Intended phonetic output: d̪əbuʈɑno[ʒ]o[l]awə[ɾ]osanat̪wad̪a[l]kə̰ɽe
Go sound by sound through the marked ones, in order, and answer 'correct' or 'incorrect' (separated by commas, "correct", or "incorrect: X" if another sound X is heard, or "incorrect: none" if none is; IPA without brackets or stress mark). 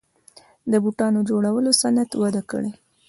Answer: incorrect: d͡ʒ, incorrect: ɽ, incorrect: l, incorrect: none